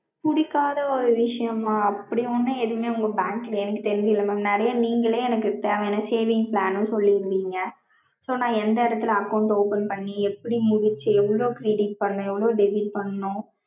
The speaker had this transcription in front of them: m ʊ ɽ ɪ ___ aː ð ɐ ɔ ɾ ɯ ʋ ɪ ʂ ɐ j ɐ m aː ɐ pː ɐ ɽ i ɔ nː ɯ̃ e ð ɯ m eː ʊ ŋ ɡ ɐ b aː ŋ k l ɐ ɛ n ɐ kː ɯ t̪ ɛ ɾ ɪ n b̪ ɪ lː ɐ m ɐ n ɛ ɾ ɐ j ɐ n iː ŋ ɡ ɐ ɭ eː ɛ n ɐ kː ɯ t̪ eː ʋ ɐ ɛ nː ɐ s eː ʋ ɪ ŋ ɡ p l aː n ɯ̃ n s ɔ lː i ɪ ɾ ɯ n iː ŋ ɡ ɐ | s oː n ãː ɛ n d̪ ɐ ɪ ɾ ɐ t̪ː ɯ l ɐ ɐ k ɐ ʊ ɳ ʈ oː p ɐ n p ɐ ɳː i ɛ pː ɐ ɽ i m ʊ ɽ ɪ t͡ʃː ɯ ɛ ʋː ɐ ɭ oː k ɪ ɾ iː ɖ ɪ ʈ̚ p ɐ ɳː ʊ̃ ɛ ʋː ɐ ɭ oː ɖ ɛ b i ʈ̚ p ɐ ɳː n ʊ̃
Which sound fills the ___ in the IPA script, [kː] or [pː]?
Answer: kː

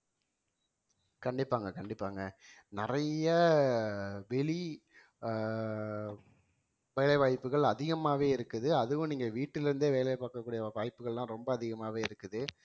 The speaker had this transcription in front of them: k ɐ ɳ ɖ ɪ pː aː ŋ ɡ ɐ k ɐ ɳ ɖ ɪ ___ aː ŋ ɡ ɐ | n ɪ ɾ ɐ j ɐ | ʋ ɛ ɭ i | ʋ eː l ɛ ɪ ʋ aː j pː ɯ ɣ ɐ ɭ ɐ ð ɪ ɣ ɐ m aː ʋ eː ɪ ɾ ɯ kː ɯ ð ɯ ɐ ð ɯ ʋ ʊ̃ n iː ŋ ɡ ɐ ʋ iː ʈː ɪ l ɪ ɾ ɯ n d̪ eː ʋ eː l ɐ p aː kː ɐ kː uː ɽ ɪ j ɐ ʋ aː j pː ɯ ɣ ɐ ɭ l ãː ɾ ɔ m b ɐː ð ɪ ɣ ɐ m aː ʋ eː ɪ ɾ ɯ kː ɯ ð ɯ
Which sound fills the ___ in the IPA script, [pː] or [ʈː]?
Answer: pː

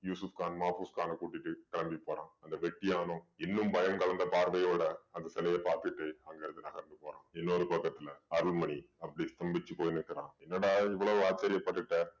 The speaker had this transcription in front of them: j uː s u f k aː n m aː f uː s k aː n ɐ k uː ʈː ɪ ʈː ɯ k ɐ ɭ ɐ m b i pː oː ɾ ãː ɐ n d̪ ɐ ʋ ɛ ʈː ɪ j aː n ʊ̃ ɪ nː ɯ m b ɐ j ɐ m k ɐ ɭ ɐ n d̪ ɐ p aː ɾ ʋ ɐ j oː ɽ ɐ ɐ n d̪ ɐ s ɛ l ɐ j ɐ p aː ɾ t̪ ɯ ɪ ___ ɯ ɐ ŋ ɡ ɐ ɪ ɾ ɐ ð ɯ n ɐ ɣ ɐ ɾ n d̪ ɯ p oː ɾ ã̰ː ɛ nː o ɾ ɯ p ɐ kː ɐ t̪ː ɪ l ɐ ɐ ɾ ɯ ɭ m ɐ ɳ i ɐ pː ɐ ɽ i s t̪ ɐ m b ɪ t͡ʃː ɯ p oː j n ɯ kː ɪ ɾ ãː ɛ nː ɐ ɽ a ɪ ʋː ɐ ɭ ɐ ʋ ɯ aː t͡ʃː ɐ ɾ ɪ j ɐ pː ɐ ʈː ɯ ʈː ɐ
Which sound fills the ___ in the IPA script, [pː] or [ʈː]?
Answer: ʈː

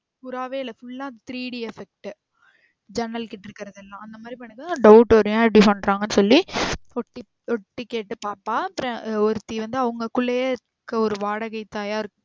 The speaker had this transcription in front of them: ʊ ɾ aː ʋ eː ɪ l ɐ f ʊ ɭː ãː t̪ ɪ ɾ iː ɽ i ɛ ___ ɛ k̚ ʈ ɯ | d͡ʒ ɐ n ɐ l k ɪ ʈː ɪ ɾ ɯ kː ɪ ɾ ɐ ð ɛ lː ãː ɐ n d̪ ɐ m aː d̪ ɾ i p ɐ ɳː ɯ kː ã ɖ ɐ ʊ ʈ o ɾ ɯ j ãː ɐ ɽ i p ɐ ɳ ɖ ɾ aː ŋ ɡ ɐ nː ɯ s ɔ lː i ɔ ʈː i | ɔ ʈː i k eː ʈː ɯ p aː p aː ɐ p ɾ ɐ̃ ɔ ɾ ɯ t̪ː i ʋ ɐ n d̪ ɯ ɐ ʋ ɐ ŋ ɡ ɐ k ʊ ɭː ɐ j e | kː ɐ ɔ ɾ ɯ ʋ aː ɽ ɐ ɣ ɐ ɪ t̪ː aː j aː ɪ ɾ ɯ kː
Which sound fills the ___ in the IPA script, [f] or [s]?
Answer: f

